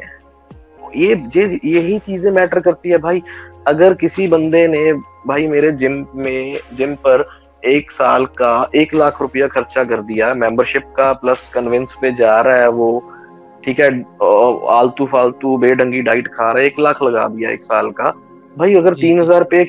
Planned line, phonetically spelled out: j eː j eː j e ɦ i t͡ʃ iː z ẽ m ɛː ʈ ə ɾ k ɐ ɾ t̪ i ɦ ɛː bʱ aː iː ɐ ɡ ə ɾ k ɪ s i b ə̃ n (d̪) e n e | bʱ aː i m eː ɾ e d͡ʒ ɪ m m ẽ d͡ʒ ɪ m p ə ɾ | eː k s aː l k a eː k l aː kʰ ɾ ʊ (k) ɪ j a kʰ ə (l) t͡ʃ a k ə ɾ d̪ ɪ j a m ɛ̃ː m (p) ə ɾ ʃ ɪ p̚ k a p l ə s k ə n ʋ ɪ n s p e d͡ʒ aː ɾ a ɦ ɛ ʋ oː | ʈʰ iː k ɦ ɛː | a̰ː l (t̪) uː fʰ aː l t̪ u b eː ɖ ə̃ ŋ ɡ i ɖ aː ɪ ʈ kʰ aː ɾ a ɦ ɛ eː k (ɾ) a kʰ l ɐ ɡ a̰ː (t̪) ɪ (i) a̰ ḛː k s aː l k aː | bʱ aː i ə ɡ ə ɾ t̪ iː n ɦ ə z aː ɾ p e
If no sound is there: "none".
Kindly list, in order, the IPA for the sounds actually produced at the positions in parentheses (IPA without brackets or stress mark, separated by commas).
d̪, p, ɾ, b, t̪, l, d̪, j